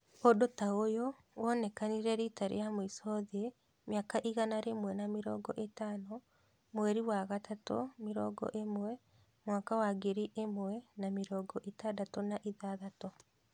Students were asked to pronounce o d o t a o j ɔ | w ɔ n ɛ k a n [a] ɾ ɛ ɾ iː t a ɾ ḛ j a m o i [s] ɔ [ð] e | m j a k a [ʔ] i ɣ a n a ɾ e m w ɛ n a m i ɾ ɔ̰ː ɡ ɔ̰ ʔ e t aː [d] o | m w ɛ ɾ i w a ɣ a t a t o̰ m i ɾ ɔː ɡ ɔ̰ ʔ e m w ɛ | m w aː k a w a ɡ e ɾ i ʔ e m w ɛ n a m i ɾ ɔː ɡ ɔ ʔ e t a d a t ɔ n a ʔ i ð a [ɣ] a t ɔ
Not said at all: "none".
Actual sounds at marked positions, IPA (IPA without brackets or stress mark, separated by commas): i, s, ð, ʔ, n, ð